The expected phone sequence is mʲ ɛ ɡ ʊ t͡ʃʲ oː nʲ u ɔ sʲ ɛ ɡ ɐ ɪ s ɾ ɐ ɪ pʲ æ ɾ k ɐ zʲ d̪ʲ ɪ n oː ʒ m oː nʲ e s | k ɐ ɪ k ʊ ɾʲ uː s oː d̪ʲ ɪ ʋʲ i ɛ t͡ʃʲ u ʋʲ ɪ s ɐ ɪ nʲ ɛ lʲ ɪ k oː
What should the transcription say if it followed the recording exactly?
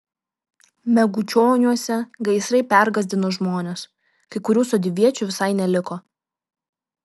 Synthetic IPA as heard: mʲ ɛ ɡ ʊ t͡ʃʲ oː nʲ u ɔ sʲ ɛ ɡ ɐ ɪ s ɾ ɐ ɪ pʲ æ ɾ ɡ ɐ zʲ d̪ʲ ɪ n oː ʒ m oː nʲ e s | k ɐ ɪ k ʊ ɾʲ uː s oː d̪ʲ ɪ ʋʲ i ɛ t͡ʃʲ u ʋʲ ɪ s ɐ ɪ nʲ ɛ lʲ ɪ k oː